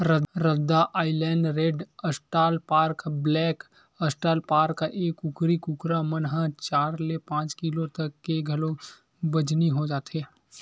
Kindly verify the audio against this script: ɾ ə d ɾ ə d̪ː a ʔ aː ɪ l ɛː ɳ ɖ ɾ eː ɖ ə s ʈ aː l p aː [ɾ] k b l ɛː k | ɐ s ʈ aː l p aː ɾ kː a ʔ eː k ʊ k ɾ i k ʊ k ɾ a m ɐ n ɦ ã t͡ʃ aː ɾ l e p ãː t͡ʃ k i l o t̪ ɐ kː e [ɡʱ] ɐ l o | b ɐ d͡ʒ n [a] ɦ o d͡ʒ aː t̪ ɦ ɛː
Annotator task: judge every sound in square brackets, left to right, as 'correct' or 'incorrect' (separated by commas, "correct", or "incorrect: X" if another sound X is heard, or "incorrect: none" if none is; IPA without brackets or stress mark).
correct, correct, incorrect: i